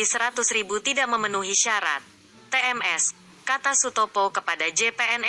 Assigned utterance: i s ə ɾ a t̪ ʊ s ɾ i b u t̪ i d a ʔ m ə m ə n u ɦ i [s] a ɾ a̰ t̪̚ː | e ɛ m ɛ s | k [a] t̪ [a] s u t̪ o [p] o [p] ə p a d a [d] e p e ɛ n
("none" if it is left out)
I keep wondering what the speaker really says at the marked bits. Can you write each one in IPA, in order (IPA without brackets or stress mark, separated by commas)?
ʃ, a, a, p, k, d͡ʒ